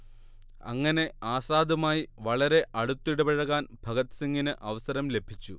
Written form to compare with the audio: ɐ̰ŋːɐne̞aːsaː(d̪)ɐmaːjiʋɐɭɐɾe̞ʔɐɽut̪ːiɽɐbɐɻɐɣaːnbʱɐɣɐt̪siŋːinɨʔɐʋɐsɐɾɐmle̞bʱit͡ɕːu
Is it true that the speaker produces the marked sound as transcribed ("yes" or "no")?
yes